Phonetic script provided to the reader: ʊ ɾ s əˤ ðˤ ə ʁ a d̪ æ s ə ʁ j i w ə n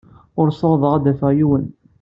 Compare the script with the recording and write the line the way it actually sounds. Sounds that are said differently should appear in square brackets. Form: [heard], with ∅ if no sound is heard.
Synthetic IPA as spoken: ʊ ɾ s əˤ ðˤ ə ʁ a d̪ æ [f] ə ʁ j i w ə n